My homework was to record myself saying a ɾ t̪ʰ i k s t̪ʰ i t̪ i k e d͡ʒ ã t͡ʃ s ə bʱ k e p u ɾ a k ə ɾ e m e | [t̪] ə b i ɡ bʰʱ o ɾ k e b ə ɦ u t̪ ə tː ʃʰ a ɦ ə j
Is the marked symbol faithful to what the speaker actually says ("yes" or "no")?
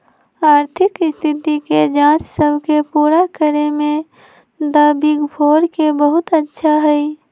no